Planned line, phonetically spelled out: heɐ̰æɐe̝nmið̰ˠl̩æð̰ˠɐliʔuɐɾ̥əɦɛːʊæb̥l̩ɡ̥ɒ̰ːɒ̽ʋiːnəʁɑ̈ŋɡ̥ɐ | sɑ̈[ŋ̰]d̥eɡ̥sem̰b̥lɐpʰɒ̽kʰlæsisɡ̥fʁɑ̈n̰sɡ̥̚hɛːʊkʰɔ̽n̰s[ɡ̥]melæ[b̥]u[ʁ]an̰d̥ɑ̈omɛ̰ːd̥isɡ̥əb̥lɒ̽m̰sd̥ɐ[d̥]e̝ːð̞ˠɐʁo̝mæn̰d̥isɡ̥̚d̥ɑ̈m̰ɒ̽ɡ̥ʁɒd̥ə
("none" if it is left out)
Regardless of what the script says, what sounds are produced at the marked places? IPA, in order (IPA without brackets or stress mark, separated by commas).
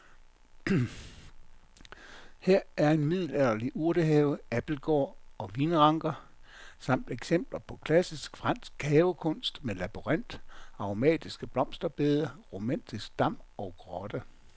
m̰, d̥, b̥, ʁ, b̥